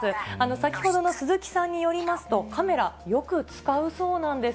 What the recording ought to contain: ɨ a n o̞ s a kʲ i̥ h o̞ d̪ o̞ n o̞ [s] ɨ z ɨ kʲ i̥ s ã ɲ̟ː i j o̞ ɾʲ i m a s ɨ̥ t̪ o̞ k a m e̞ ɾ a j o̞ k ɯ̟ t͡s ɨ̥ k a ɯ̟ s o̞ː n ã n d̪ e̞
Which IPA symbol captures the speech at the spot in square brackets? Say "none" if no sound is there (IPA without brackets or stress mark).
s